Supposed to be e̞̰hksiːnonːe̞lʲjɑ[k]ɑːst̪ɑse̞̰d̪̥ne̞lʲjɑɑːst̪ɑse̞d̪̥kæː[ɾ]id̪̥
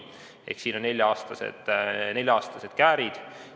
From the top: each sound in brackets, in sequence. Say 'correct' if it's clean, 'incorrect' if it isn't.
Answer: incorrect: none, correct

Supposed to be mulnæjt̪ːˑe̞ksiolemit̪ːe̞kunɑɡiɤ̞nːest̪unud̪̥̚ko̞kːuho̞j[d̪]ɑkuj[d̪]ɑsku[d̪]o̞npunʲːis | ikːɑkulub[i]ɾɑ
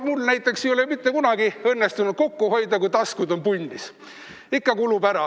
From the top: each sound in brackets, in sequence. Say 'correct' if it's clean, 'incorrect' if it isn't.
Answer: correct, incorrect: t̪, correct, incorrect: æ

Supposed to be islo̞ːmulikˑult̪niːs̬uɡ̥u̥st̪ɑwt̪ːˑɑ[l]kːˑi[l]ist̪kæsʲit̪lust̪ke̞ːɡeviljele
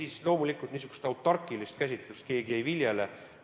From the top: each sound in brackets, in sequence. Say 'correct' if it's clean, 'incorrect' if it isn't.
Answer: incorrect: r, correct

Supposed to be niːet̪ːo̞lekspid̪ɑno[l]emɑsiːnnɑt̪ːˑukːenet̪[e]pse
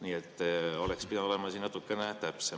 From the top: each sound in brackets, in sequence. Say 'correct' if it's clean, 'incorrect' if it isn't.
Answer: correct, incorrect: æ

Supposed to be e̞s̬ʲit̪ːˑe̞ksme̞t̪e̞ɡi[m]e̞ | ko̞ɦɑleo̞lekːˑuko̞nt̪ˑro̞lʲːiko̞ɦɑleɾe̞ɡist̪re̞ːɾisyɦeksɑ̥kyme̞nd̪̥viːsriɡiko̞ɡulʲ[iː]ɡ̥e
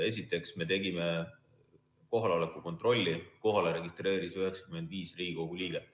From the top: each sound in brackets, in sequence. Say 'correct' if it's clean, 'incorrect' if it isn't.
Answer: correct, correct

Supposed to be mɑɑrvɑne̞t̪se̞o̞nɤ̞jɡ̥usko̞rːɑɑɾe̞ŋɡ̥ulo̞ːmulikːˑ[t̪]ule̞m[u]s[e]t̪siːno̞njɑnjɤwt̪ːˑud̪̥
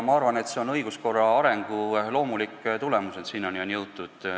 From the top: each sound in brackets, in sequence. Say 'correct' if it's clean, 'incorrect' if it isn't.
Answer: correct, correct, correct

